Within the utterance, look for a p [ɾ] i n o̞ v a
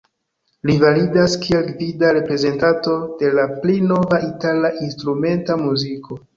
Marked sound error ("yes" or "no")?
yes